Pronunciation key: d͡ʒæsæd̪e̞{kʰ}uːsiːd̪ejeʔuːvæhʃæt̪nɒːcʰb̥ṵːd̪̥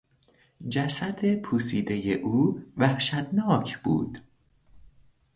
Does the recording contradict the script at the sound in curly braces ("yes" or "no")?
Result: yes